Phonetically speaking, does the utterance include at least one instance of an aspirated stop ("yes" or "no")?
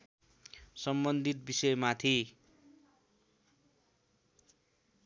yes